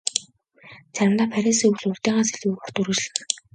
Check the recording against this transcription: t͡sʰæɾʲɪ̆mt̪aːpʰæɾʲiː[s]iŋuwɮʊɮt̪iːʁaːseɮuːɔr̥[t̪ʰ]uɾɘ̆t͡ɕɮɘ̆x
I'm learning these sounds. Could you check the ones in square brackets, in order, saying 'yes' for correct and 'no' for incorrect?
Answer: yes, no

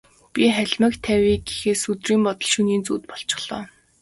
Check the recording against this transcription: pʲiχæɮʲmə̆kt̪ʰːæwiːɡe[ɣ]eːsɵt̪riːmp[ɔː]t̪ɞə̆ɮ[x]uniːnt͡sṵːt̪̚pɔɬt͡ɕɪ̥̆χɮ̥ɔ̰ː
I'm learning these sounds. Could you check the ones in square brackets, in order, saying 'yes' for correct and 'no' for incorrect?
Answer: no, no, no

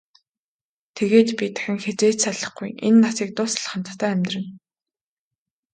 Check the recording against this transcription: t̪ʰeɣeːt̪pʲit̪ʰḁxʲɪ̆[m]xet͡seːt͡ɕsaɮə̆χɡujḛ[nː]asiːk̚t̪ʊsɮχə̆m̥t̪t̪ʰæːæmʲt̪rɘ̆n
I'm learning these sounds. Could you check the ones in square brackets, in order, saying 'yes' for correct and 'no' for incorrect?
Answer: no, yes

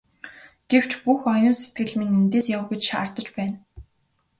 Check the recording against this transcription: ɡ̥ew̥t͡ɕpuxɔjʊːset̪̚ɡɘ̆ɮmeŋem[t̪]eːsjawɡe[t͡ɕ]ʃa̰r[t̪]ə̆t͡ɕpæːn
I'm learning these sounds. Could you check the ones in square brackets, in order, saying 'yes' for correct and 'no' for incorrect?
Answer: yes, yes, yes

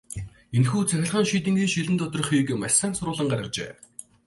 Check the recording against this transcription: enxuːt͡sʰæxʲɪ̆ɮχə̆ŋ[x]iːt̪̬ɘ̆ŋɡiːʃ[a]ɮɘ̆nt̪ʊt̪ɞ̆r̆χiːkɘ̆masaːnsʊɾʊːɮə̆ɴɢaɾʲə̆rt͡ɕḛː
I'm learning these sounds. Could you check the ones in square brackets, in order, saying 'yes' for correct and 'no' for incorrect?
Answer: no, no

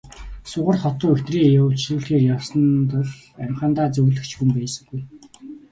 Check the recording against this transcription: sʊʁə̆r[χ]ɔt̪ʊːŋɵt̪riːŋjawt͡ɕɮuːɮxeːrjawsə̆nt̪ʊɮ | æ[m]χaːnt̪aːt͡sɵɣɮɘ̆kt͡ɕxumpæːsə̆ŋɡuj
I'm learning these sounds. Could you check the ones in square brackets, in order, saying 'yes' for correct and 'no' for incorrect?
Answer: yes, yes

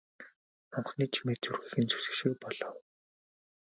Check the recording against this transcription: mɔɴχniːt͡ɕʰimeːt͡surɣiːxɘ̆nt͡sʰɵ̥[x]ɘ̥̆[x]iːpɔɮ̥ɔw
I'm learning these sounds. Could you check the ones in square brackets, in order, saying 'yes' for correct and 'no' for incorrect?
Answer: no, no

